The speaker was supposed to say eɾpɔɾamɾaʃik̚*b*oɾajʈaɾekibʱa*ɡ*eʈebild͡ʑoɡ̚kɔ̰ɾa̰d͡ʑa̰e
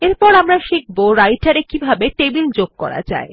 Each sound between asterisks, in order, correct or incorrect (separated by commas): correct, incorrect